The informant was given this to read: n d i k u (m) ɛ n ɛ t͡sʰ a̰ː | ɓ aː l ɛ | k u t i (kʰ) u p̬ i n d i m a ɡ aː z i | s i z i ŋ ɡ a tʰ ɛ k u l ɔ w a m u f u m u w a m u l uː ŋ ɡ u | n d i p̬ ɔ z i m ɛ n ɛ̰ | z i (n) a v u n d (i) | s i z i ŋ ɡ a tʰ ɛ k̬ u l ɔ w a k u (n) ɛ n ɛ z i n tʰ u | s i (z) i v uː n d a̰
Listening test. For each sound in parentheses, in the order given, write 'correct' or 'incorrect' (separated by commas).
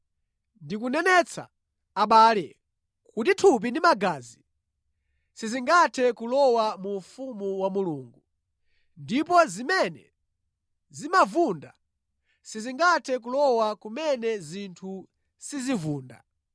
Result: incorrect, incorrect, incorrect, incorrect, incorrect, correct